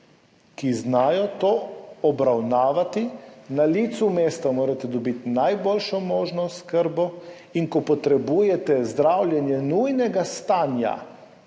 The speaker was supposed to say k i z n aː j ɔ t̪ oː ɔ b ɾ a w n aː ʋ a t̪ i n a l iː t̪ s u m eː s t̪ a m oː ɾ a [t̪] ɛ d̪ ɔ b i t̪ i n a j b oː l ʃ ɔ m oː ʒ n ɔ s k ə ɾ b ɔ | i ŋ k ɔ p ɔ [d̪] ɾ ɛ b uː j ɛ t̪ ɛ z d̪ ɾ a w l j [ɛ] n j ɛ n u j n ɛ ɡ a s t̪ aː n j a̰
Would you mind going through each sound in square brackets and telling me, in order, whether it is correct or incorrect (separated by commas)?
correct, incorrect, correct